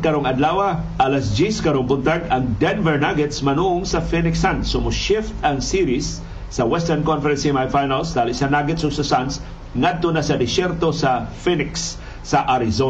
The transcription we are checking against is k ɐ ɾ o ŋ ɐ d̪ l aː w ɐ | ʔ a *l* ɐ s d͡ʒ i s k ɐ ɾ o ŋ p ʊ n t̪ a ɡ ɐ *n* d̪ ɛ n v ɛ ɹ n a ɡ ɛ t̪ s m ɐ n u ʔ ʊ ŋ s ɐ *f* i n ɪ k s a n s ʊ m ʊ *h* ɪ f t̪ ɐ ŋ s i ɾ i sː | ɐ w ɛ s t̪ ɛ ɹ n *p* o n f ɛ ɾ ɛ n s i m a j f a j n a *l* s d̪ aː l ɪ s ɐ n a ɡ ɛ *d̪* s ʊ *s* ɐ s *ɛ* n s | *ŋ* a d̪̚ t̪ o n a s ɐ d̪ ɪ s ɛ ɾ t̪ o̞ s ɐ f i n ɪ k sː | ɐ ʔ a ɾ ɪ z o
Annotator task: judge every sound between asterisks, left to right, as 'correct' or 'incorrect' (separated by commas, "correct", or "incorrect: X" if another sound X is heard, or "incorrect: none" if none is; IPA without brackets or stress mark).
correct, incorrect: ŋ, correct, incorrect: ʃ, incorrect: k, correct, incorrect: t̪, correct, incorrect: a, correct